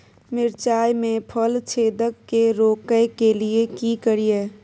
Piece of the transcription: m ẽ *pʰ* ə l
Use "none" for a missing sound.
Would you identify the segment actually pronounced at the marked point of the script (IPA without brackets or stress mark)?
pʰ